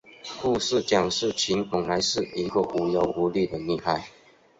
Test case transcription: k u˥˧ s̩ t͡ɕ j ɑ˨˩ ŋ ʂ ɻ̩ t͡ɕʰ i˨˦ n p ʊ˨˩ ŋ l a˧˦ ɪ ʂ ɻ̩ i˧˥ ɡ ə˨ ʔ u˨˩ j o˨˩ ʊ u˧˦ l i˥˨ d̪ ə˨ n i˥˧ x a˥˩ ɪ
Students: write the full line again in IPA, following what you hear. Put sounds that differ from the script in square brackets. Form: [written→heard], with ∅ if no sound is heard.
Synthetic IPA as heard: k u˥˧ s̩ t͡ɕ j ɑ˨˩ ŋ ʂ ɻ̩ t͡ɕʰ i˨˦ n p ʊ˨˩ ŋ l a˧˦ ɪ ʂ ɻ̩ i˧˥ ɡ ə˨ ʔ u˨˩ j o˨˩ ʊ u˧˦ l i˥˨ d̪ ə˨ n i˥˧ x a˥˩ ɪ